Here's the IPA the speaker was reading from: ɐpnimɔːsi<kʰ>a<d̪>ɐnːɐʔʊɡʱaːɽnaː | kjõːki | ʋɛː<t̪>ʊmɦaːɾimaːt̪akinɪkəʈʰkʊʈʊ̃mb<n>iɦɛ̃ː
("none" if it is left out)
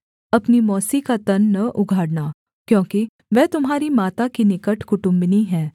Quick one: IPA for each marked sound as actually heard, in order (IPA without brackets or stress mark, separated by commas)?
k, t̪, t̪, n